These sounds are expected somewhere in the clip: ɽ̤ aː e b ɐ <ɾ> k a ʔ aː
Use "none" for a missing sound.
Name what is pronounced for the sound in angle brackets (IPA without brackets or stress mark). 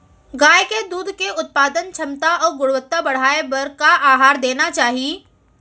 ɾ